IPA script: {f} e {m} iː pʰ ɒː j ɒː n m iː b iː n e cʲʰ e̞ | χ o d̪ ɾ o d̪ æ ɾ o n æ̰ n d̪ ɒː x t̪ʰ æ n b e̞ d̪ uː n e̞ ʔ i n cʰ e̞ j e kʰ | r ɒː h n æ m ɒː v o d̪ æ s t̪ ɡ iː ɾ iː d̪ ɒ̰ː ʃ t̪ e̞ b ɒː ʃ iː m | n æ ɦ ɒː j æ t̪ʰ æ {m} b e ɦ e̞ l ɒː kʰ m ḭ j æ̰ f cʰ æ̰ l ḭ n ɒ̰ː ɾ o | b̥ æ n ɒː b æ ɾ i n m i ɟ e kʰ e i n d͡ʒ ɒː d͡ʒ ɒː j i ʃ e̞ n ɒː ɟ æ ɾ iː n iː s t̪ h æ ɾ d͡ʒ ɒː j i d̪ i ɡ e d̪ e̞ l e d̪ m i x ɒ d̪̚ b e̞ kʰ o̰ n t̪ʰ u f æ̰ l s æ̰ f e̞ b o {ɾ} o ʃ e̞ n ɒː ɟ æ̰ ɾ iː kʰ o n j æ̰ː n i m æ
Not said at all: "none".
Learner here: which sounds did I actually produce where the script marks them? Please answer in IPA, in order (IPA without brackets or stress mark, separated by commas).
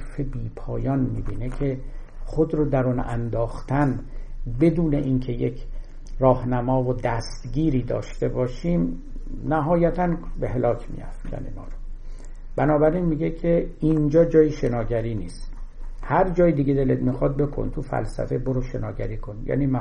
f, b, n, ɾ